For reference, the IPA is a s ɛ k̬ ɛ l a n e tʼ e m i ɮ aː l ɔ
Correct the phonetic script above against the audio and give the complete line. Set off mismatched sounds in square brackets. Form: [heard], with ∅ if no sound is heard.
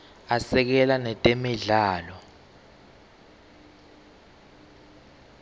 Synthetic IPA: a s ɛ k̬ ɛ l a n [ɛ] tʼ e m i ɮ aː l ɔ